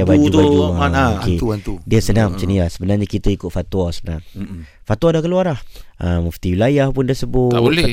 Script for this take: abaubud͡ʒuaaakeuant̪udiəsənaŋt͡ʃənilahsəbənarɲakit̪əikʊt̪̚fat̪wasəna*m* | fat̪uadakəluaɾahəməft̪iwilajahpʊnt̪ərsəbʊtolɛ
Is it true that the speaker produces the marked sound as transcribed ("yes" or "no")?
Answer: no